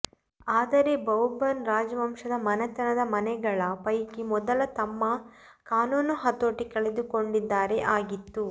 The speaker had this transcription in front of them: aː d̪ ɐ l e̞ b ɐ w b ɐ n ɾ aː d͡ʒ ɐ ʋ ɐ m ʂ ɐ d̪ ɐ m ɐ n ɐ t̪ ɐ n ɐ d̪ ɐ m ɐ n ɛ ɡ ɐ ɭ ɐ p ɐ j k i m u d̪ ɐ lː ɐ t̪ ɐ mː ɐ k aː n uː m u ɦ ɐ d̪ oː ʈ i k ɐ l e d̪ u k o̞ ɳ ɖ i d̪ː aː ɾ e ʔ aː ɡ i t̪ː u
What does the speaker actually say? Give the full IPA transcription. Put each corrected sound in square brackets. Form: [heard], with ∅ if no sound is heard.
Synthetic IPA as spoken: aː d̪ ɐ [ɾ] e̞ b ɐ w b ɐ n ɾ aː d͡ʒ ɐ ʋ ɐ m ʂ ɐ d̪ ɐ m ɐ n ɐ t̪ ɐ n ɐ d̪ ɐ m ɐ n ɛ ɡ ɐ ɭ ɐ p ɐ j k i m [ɔ] d̪ ɐ [l] ɐ t̪ ɐ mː ɐ k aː n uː [n] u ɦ ɐ [t̪] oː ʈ i k ɐ [ɭ] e d̪ u k o̞ ɳ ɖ i d̪ː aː ɾ e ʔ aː ɡ i t̪ː u